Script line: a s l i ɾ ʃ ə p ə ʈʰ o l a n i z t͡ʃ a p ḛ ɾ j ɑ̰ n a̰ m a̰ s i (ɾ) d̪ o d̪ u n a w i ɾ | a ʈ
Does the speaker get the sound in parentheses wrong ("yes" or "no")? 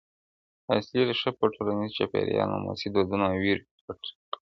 yes